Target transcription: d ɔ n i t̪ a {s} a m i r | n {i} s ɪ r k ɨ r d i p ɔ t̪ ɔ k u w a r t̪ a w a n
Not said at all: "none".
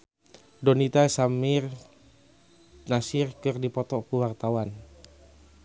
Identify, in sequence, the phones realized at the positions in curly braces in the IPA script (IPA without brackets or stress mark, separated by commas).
s, a